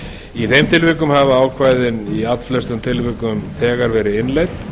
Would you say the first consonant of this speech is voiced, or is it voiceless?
voiceless